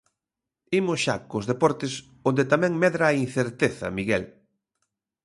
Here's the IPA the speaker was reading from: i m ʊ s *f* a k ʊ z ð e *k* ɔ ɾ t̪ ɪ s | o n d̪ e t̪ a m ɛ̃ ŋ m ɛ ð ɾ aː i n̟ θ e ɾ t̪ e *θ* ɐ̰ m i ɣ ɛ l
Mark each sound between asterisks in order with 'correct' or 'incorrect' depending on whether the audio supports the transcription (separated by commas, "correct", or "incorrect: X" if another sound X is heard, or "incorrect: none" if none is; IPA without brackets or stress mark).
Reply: incorrect: ʃ, incorrect: p, correct